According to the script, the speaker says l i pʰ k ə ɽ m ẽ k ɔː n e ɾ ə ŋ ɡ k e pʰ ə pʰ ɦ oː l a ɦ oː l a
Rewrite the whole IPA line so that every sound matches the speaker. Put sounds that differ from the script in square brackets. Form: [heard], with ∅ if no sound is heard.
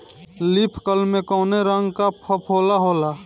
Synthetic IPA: l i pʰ k ə [l] m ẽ k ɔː n e ɾ ə ŋ ɡ k [a] pʰ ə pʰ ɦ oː l a ɦ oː l a